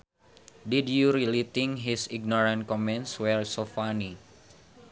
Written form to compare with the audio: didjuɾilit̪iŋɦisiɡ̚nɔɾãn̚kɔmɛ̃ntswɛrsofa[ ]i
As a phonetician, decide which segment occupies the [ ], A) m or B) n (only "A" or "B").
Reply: B